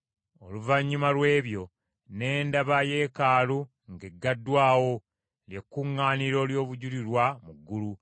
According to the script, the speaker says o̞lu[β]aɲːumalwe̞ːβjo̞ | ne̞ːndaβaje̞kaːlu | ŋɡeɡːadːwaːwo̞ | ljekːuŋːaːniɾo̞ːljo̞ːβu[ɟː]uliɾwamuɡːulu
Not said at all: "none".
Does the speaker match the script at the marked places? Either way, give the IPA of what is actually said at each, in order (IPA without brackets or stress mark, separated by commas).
v, ɟ